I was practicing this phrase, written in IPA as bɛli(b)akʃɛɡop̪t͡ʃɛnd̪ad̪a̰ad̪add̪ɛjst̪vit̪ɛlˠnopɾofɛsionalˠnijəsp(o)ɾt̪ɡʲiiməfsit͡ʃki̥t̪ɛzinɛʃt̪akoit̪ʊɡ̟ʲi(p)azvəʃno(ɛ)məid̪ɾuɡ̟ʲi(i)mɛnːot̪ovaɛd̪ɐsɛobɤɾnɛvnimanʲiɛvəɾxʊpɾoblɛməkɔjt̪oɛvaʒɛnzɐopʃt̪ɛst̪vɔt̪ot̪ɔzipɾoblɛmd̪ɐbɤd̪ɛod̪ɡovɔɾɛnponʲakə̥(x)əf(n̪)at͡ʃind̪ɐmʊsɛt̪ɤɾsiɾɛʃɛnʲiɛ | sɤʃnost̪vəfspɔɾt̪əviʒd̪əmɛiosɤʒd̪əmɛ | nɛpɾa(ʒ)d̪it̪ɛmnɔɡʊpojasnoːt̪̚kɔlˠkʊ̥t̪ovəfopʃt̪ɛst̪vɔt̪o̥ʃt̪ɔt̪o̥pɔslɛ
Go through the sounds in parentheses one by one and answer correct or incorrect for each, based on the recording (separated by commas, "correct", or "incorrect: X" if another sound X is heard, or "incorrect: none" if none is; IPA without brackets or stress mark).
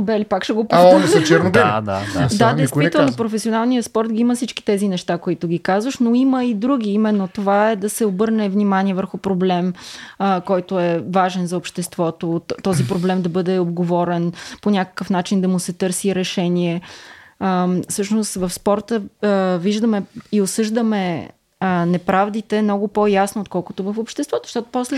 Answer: incorrect: p, incorrect: ɔ, incorrect: k, incorrect: i, correct, incorrect: k, correct, incorrect: v